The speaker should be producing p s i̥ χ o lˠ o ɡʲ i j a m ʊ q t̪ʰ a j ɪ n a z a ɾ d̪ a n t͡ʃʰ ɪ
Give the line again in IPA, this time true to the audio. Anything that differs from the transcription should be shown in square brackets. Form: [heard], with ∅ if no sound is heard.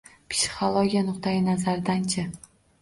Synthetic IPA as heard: p s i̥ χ o lˠ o ɡʲ i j a [n] ʊ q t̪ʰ a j ɪ n a z a ɾ d̪ a n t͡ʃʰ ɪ

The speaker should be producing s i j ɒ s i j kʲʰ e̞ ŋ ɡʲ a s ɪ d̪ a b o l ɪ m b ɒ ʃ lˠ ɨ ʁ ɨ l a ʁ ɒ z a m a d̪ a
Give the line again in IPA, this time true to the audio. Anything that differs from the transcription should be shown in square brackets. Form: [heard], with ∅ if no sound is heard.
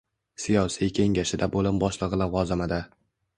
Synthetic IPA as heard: s i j ɒ s i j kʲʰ e̞ ŋ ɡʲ a [ʃ] ɪ d̪ a b o l ɪ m b ɒ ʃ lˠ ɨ ʁ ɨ l a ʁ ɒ z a m a d̪ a

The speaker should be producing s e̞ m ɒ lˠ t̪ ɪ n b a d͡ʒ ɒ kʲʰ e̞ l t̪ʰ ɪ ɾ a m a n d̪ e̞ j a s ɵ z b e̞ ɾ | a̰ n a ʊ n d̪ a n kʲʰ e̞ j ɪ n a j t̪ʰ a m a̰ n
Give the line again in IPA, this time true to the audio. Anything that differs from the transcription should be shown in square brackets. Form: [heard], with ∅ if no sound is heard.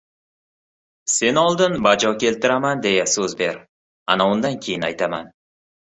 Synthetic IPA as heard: s e̞ [n] ɒ lˠ [d̪] ɪ n b a d͡ʒ ɒ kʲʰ e̞ l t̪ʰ ɪ ɾ a m a n d̪ e̞ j a s ɵ z b e̞ ɾ | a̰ n a ʊ n d̪ a n kʲʰ e̞ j ɪ n a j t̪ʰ a m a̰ n

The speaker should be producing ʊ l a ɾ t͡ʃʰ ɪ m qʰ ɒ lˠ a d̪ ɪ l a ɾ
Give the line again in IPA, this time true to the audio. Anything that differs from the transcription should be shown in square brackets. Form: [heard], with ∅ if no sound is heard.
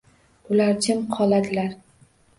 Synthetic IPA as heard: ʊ l a ɾ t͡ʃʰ ɪ m qʰ ɒ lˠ a d̪ ɪ l a ɾ

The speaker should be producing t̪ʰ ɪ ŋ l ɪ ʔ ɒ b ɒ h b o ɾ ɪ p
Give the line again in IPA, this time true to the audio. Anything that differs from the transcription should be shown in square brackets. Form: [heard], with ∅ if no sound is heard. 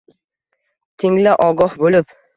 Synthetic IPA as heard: t̪ʰ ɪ ŋ l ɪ ʔ ɒ [ɡ] ɒ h b o [l] ɪ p

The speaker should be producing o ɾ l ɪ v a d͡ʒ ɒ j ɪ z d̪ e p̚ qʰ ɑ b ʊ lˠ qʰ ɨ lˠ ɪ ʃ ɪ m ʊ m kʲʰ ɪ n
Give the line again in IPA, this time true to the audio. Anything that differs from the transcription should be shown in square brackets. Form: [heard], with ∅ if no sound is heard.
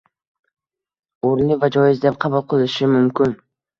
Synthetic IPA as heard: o ɾ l ɪ v a d͡ʒ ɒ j ɪ z d̪ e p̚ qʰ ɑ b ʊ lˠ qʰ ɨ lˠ ɪ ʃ ɪ m ʊ m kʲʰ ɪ n

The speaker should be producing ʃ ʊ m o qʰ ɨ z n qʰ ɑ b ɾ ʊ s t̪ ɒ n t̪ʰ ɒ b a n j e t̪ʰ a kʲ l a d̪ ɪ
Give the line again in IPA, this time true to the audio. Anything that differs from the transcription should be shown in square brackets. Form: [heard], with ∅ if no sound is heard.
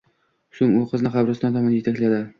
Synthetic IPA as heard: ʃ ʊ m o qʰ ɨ z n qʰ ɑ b ɾ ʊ s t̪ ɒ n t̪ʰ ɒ [m] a n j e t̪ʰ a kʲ l a d̪ ɪ

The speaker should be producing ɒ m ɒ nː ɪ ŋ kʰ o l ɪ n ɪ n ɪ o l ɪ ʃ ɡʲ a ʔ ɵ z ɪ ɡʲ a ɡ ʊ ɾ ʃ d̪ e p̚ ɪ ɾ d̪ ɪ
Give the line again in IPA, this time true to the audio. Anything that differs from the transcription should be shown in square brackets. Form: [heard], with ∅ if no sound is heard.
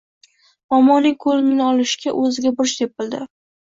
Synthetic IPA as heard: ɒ m ɒ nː ɪ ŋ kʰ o l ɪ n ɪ n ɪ [ɒ] l ɪ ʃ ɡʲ a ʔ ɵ z ɪ ɡʲ a [b] ʊ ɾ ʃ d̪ e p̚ ɪ [l] d̪ ɪ

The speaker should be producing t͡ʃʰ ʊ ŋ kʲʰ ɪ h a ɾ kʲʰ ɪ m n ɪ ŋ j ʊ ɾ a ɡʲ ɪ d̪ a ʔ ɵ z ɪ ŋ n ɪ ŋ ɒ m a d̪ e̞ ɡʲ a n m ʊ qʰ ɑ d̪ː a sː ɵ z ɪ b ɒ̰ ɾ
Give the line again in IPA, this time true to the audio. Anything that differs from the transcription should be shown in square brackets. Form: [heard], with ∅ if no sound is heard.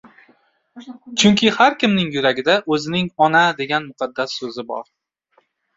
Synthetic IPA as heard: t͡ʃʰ ʊ ŋ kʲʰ ɪ h a ɾ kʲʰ ɪ m n ɪ ŋ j ʊ ɾ a ɡʲ ɪ d̪ a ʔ ɵ z ɪ [∅] n ɪ ŋ ɒ [n] a d̪ e̞ ɡʲ a n m ʊ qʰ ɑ d̪ː a sː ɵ z ɪ b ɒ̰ ɾ

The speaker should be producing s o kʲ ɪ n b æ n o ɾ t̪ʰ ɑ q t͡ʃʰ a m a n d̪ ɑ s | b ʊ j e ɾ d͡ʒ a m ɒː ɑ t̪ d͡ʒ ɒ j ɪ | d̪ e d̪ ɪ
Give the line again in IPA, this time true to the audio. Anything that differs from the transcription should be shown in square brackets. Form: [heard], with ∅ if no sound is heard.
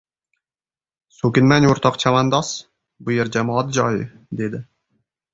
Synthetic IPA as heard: s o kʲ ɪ n [m] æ n o ɾ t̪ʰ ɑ q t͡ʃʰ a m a n d̪ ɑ s | b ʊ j e ɾ d͡ʒ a m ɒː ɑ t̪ d͡ʒ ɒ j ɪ | d̪ e d̪ ɪ

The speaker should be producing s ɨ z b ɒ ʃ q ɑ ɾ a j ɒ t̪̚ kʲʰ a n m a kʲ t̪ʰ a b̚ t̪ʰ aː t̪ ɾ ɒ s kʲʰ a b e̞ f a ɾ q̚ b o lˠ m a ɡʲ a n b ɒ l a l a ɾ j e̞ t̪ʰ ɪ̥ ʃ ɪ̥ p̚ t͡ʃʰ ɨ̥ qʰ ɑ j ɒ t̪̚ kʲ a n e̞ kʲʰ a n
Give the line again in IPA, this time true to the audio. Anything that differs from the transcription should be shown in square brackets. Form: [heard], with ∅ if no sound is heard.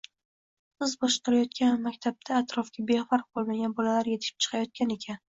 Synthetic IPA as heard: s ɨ z b ɒ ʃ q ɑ ɾ a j ɒ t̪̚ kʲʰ a n m a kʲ t̪ʰ a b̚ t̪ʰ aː t̪ ɾ ɒ [f] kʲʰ a b e̞ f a ɾ q̚ b o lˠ m a ɡʲ a n b ɒ l a l a ɾ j e̞ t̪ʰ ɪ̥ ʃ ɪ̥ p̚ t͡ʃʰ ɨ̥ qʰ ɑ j ɒ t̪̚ kʲ a n e̞ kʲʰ a n

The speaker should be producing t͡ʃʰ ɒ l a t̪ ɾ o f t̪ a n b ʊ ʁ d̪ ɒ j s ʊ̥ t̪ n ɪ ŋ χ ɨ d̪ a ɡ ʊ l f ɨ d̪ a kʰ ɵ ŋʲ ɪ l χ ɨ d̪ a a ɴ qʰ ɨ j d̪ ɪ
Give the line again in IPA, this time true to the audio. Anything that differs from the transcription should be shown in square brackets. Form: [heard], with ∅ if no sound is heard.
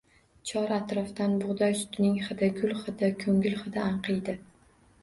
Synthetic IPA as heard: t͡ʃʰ ɒ [ɾ] a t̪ ɾ [ɒ] f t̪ a n b ʊ ʁ d̪ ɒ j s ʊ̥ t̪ n ɪ ŋ χ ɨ d̪ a ɡ ʊ l [χ] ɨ d̪ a kʰ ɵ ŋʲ ɪ l χ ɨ d̪ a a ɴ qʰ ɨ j d̪ ɪ

